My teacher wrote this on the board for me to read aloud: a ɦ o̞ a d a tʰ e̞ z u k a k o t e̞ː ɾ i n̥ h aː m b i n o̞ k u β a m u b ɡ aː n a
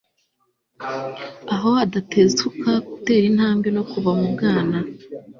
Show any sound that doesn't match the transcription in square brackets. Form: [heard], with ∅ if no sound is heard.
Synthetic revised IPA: a ɦ o̞ a d a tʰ e̞ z u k a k [u] t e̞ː ɾ i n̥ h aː m b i n o̞ k u β a m u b ɡ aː n a